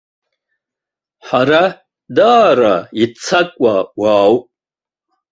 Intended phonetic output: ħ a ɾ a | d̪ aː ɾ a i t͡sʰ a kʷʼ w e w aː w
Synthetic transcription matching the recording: ħ a ɾ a | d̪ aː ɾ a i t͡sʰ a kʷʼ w a w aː w